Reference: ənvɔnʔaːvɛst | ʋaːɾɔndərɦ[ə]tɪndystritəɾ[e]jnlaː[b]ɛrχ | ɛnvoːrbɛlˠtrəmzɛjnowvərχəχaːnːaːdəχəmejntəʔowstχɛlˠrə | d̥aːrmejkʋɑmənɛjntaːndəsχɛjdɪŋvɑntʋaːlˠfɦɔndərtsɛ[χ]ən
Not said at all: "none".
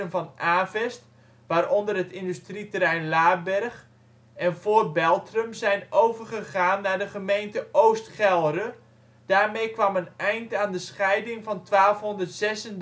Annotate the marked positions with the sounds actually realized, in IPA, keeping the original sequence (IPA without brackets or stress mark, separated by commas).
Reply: ə, ɛ, b, s